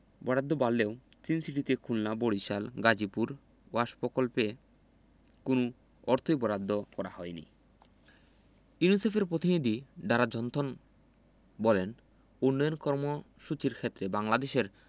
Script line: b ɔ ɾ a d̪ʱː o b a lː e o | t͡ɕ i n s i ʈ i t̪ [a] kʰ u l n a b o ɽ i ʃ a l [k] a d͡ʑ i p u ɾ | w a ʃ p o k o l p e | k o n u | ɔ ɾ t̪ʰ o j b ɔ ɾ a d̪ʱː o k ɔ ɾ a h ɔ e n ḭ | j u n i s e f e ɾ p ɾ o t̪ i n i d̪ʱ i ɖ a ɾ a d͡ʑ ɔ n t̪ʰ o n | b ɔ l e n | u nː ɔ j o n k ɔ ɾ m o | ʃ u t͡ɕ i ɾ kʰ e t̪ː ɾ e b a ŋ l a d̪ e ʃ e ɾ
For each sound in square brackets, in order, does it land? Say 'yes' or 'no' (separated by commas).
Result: no, no